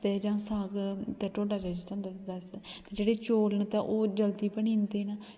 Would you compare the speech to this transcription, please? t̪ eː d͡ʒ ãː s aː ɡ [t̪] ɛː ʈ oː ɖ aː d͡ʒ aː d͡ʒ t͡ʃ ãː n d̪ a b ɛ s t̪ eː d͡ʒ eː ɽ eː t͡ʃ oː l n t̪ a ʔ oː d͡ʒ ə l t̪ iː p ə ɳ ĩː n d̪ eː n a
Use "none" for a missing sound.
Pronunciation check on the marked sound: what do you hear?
t̪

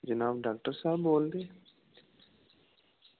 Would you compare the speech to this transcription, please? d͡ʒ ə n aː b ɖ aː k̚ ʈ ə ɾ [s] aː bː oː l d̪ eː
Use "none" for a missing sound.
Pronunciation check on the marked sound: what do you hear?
s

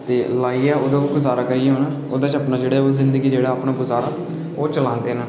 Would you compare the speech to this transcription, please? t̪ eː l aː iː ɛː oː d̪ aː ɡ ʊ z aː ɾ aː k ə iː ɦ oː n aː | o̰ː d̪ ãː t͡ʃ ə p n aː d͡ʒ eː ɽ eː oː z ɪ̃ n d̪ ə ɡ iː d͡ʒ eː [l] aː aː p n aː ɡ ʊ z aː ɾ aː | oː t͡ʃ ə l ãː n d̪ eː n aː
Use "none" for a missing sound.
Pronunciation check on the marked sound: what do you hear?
ɽ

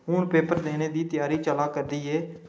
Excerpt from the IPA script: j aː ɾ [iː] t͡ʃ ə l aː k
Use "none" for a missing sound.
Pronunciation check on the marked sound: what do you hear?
iː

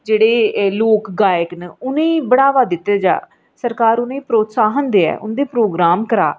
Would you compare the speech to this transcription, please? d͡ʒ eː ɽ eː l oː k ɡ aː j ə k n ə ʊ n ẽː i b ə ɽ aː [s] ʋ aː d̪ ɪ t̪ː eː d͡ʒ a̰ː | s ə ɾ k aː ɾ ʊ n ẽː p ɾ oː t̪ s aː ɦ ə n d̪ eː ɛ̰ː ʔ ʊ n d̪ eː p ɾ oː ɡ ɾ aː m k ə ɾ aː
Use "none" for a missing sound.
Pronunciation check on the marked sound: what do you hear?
none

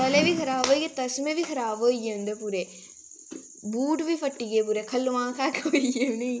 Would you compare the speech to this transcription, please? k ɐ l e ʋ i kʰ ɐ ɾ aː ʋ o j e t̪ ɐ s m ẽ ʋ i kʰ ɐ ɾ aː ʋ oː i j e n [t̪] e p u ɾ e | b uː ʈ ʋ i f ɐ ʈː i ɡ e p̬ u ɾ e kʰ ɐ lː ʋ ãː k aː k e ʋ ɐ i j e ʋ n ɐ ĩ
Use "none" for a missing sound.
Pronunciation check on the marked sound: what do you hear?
d̪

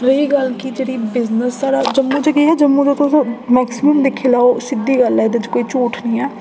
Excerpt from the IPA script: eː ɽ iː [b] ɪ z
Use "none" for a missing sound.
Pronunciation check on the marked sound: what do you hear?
b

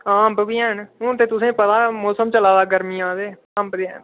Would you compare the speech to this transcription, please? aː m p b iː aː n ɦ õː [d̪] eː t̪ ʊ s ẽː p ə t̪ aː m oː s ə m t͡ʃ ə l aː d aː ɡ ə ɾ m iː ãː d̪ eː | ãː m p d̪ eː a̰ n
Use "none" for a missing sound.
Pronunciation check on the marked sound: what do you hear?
t̪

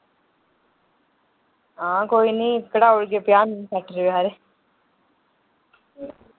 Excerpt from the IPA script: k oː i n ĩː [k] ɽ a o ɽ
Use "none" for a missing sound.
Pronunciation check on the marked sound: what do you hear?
k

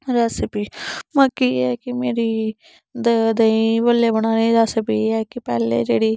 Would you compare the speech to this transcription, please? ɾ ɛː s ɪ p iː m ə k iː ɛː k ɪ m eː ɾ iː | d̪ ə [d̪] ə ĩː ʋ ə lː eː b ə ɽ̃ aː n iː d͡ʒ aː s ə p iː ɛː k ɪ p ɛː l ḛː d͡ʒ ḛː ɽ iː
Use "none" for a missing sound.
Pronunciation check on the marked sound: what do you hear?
d̪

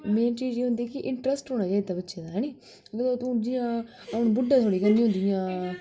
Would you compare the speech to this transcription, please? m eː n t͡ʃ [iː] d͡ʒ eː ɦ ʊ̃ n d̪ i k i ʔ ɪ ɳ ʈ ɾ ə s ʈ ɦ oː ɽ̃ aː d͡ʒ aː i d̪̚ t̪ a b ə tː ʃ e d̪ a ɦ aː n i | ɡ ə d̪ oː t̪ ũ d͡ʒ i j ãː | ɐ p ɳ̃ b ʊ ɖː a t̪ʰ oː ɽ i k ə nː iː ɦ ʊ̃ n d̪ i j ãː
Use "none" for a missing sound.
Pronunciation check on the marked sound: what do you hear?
iː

